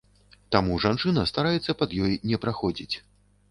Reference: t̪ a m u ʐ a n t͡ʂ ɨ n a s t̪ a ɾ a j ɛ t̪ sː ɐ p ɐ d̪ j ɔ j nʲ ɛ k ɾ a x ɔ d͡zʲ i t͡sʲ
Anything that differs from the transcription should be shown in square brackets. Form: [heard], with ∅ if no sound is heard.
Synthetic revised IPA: t̪ a m u ʐ a n t͡ʂ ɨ n [ɐ] s t̪ a ɾ a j ɛ t̪ sː ɐ p ɐ d̪ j ɔ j nʲ ɛ [p] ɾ a x ɔ d͡zʲ i t͡sʲ